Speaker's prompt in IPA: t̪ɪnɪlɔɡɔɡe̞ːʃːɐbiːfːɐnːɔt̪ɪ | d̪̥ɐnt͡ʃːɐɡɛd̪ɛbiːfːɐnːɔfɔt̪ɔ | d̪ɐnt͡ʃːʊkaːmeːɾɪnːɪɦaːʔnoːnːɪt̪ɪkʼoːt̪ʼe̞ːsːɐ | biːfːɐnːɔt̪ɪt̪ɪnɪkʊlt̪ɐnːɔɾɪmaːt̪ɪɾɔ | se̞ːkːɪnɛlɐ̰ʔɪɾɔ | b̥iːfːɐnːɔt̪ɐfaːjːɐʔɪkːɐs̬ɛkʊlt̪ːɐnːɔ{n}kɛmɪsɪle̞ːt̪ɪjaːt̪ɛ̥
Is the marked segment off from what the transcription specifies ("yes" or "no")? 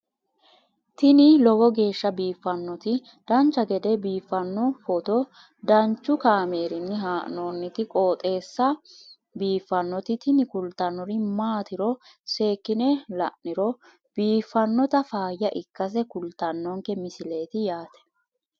yes